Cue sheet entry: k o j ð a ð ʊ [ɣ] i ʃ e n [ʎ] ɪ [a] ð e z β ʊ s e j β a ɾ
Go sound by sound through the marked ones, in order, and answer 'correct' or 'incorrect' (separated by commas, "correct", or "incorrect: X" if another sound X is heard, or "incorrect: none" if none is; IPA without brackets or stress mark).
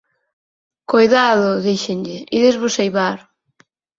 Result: incorrect: ð, correct, incorrect: i